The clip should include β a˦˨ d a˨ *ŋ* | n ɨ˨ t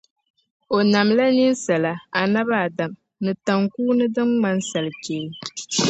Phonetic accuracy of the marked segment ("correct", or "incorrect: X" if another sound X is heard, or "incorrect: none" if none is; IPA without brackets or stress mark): incorrect: m